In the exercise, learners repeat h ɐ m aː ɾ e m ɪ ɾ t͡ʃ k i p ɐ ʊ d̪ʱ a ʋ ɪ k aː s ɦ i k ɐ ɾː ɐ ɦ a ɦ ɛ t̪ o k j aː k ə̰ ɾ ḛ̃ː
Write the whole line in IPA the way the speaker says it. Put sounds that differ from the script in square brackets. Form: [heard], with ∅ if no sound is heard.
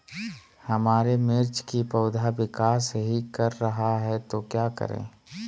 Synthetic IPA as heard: h ɐ m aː ɾ e m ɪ ɾ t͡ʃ k i p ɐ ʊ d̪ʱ a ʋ ɪ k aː s ɦ i k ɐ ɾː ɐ ɦ a ɦ ɛ t̪ o k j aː k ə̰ ɾ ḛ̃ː